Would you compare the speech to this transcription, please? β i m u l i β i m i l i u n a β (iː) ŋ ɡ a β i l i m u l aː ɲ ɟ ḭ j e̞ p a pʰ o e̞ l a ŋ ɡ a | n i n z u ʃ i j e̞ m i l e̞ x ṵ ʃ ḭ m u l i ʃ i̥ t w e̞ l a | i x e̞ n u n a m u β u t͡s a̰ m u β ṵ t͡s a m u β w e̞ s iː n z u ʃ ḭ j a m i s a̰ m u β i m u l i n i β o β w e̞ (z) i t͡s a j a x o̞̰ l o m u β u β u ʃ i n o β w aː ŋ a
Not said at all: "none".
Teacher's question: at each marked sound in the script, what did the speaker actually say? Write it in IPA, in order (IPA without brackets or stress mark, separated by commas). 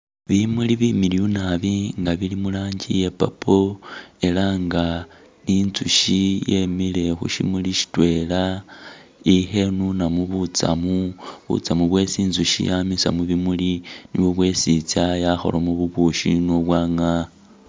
i, s